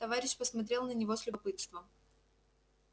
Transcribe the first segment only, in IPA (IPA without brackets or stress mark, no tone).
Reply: t̪